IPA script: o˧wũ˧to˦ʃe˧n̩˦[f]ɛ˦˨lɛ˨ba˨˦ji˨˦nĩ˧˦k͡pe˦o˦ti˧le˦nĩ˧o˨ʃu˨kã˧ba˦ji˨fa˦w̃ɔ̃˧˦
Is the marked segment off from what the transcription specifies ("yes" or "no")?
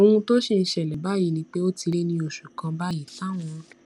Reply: yes